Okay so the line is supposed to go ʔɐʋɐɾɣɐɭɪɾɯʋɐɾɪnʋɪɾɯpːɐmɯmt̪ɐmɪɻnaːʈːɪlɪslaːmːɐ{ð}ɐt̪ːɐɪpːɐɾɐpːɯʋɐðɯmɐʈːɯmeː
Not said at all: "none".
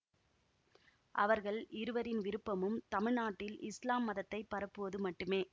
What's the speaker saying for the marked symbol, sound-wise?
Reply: ð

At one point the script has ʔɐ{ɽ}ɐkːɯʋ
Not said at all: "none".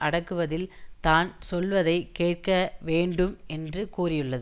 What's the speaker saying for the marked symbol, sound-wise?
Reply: ɽ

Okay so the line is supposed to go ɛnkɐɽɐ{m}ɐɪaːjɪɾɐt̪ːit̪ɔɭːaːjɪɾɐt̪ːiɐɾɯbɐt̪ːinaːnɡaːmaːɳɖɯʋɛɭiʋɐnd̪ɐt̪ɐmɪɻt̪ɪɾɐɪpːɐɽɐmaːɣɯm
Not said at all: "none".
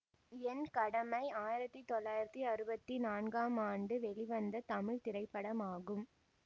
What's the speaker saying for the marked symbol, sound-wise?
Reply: m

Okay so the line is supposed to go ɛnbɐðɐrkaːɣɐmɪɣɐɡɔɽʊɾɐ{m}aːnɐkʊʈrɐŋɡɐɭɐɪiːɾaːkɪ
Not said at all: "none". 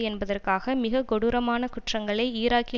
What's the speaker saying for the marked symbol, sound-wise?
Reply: m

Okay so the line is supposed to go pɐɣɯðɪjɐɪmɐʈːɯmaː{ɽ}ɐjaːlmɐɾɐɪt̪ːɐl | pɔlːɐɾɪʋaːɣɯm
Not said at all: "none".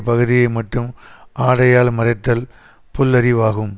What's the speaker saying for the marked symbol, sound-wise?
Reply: ɽ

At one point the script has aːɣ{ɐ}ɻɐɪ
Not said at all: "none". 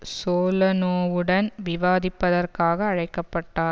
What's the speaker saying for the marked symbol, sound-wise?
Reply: ɐː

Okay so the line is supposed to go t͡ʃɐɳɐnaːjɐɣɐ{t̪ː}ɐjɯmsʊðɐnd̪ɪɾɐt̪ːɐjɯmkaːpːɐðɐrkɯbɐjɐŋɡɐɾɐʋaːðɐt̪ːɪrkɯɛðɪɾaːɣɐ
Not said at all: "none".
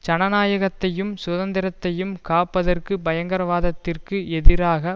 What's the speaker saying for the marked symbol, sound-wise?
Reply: t̪ː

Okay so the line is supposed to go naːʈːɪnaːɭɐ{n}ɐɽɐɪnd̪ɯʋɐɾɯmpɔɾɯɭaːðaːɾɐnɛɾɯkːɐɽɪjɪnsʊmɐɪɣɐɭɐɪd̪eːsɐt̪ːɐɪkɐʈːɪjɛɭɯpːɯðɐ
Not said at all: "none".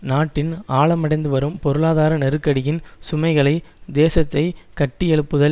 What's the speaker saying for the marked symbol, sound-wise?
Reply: m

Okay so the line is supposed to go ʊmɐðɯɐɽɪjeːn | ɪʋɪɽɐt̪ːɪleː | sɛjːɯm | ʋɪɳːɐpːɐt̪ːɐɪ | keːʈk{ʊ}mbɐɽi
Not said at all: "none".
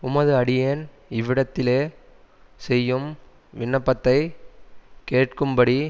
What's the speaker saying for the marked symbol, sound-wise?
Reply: ɯ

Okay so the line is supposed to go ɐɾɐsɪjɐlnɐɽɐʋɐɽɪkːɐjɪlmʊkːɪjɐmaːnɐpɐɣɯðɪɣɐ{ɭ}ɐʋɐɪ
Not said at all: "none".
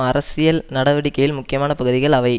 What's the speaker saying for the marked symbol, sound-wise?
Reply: ɭ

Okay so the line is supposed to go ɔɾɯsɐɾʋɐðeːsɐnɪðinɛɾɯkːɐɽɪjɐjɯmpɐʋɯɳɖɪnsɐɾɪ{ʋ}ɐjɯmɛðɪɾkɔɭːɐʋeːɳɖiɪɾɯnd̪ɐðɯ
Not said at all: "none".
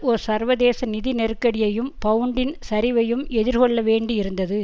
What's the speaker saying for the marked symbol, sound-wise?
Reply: ʋ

